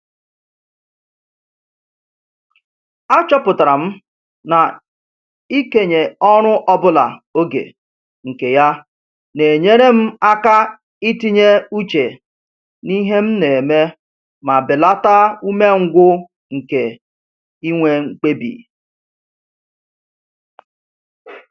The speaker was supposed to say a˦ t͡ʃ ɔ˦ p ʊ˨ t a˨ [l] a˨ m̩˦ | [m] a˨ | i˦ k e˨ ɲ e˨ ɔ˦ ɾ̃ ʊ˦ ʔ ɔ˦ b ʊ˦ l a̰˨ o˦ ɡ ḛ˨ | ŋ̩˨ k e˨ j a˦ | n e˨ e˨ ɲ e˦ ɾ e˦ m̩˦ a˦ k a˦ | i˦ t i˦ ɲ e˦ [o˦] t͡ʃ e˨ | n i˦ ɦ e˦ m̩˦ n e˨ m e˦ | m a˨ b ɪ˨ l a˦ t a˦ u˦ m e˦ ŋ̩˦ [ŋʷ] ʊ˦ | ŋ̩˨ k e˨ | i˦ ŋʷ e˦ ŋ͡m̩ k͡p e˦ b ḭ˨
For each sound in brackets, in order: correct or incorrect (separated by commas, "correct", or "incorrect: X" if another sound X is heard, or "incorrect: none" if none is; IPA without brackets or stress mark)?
incorrect: ɾ, incorrect: n, incorrect: u˦, incorrect: ɡʷ